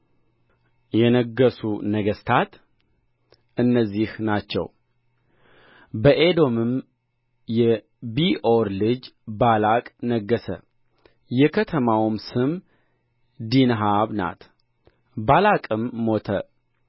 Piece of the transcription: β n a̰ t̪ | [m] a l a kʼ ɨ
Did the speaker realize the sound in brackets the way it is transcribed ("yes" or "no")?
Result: no